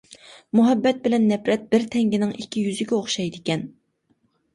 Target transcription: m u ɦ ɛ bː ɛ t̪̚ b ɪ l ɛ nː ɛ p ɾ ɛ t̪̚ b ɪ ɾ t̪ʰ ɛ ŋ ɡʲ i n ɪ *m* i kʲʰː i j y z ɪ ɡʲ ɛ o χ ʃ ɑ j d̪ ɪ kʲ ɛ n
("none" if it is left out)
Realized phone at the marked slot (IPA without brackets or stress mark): ŋ